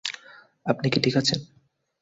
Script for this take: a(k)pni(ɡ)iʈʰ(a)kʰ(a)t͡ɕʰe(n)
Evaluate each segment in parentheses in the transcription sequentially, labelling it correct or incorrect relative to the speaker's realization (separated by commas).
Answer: incorrect, incorrect, incorrect, correct, correct